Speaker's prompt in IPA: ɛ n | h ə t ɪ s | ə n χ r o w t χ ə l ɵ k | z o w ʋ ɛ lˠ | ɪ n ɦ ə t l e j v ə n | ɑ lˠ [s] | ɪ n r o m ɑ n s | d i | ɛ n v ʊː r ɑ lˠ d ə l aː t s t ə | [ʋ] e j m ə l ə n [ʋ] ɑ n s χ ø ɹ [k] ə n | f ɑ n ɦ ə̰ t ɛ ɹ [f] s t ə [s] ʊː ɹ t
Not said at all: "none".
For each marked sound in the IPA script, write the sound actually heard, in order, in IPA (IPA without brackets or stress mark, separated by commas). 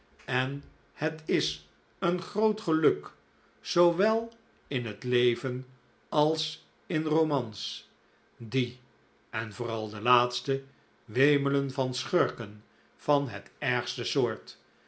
s, ʋ, v, k, χ, s